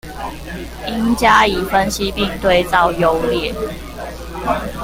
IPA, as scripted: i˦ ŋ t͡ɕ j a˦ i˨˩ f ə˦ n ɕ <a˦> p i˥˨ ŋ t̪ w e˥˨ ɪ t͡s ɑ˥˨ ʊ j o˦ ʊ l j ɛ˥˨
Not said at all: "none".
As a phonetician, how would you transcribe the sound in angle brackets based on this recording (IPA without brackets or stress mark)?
i˦